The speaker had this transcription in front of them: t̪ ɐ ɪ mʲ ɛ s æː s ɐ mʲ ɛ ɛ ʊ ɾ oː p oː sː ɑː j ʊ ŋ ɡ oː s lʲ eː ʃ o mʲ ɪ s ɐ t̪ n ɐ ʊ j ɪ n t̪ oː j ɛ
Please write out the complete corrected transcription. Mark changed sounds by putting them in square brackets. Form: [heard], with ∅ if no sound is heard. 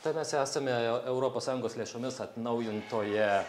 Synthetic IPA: t̪ ɐ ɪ mʲ ɛ s æː s ɐ mʲ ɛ ɛ ʊ ɾ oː p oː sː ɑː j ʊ ŋ ɡ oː s lʲ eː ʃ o mʲ ɪ s ɐ t̪ n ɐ ʊ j ɪ n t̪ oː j ɛ